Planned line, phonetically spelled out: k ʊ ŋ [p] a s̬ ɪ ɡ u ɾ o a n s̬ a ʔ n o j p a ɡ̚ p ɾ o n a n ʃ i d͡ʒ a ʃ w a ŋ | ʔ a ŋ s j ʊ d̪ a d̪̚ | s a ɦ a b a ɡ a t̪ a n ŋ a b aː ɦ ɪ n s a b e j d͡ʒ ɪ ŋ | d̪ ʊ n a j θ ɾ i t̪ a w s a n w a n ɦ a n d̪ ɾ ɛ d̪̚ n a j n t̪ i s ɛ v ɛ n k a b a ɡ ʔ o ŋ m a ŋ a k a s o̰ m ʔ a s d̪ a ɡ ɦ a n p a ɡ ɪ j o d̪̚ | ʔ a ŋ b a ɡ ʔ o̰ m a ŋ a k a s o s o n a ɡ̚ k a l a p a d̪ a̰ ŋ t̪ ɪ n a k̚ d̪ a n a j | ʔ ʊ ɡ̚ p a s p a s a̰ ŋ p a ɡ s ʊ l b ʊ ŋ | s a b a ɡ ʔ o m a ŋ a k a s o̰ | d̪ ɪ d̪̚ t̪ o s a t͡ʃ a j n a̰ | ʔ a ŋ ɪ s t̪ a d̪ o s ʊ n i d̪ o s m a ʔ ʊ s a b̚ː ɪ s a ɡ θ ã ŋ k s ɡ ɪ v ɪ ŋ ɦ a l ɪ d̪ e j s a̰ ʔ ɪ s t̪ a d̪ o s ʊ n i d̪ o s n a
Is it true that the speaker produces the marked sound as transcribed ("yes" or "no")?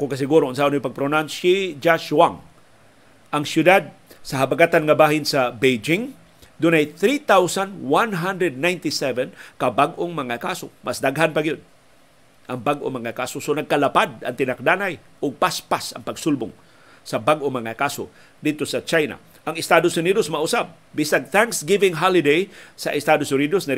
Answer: no